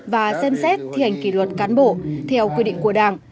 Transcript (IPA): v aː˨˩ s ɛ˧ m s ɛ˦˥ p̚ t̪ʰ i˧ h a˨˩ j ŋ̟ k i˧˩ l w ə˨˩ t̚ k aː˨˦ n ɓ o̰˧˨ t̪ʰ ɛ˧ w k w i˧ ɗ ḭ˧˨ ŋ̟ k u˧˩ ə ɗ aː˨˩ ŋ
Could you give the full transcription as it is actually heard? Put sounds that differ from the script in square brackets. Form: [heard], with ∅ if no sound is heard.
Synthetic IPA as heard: v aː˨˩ s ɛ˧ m s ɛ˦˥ [t̚] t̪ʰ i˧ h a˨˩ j ŋ̟ k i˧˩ l w ə˨˩ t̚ k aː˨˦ n ɓ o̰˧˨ t̪ʰ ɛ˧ w k w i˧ ɗ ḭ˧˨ ŋ̟ k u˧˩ ə ɗ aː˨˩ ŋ